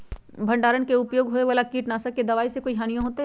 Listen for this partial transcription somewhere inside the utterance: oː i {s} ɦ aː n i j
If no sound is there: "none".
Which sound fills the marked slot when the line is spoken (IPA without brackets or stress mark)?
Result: none